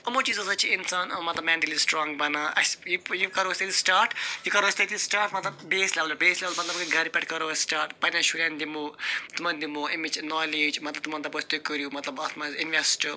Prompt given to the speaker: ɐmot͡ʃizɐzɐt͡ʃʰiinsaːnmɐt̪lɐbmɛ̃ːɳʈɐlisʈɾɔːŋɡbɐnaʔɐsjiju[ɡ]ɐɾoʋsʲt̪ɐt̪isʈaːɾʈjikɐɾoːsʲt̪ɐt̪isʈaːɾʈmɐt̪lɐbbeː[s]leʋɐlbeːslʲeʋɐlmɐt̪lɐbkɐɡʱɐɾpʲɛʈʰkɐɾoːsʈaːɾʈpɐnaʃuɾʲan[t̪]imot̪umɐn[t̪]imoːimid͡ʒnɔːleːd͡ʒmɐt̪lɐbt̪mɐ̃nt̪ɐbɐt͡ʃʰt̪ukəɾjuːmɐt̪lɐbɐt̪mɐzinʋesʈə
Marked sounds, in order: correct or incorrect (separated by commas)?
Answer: incorrect, correct, incorrect, incorrect